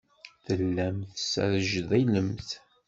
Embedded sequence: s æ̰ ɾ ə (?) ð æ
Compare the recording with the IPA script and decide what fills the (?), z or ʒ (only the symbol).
ʒ